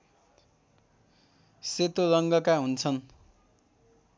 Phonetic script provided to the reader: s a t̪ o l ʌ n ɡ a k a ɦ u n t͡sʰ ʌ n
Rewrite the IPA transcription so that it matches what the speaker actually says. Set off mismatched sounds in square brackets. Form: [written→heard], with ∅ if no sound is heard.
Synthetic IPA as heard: s [a→e] t̪ o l ʌ [n→ŋ] ɡ [a→ʌ] k a ɦ u n t͡sʰ ʌ n